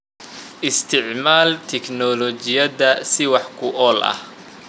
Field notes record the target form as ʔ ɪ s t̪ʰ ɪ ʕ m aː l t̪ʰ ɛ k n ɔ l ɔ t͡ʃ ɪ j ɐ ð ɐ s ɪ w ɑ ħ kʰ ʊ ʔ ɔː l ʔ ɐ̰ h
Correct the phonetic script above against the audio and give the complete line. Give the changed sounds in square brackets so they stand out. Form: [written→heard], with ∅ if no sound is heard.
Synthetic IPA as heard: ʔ ɪ s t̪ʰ ɪ ʕ m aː l t̪ʰ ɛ k n ɔ l ɔ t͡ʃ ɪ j ɐ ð ɐ s ɪ w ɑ ħ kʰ ʊ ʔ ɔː l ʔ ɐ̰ h